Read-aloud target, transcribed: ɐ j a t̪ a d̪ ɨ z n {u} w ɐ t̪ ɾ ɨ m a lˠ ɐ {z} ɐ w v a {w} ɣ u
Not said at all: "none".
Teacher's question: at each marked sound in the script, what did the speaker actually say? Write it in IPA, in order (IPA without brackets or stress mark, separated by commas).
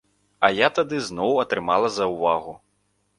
ɔ, z, none